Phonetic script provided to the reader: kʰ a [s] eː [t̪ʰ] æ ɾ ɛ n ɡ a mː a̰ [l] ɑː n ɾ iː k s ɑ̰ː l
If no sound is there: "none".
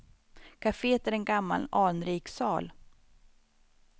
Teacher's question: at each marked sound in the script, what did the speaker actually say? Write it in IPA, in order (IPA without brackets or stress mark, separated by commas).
f, t̪, l